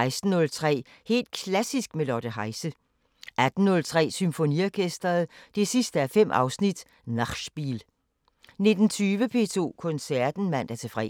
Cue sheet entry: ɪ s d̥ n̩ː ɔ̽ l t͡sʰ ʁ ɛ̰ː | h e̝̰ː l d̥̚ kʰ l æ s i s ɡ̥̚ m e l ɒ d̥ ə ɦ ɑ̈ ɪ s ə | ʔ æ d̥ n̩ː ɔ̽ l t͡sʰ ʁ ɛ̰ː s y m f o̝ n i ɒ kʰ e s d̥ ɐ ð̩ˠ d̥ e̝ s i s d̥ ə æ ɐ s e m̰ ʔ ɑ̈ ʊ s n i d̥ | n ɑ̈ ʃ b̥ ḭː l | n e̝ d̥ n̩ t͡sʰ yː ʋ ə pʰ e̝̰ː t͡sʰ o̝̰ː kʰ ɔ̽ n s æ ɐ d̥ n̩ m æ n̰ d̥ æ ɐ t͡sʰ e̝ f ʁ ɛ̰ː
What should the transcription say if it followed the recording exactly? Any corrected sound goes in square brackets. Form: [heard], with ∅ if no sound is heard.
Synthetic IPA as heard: ɪ s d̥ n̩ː ɔ̽ l t͡sʰ ʁ ɛ̰ː | h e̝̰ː l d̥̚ kʰ l æ s i s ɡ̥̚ m e l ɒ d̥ ə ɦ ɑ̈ ɪ s ə | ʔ æ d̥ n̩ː ɔ̽ l t͡sʰ ʁ ɛ̰ː s y m f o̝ n i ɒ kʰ e s d̥ ɐ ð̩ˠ d̥ e̝ s i s d̥ ə æ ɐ [f] e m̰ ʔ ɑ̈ ʊ s n i d̥ | n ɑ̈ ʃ b̥ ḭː l | n e̝ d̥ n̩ t͡sʰ yː ʋ ə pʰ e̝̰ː t͡sʰ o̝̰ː kʰ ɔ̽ n s æ ɐ d̥ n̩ m æ n̰ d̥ æ ɐ t͡sʰ e̝ f ʁ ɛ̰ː